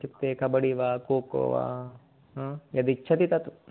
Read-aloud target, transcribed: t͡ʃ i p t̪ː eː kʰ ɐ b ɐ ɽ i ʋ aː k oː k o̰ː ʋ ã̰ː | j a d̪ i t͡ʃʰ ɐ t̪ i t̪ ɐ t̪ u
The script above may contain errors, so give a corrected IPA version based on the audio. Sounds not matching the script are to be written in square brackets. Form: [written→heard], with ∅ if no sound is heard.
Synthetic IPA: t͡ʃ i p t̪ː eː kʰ ɐ b ɐ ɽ i ʋ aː k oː k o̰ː ʋ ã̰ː | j [a→ɐ] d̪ i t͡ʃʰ ɐ t̪ i t̪ ɐ t̪ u